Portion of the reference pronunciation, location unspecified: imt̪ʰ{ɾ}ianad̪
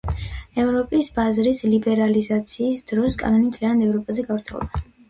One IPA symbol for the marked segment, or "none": l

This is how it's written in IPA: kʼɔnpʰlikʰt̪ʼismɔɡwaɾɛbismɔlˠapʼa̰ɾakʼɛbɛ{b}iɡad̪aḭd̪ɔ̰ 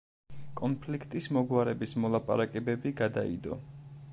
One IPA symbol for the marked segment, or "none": b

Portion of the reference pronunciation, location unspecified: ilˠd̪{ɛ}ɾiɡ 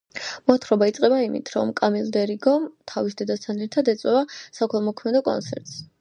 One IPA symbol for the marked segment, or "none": ɛ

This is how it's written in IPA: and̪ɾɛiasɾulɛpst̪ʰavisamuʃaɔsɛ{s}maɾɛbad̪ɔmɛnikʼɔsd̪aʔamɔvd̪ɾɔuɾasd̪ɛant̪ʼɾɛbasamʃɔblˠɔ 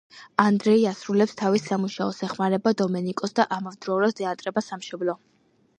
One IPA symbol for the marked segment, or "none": χ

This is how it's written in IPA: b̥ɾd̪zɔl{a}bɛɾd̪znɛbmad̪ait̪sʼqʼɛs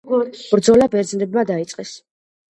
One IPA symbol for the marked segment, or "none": a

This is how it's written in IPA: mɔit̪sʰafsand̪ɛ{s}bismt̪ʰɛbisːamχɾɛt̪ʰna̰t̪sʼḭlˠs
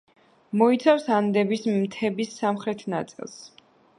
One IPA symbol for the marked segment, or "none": none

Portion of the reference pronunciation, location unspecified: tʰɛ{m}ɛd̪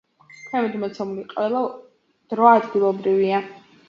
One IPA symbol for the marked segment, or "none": m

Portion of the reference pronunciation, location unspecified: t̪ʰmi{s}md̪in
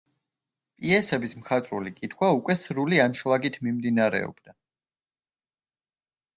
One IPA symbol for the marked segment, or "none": none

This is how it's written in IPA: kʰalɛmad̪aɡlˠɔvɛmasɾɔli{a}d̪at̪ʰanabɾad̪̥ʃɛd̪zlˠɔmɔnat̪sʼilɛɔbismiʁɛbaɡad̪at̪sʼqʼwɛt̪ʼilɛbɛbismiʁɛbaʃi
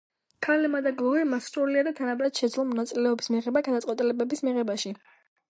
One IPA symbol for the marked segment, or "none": a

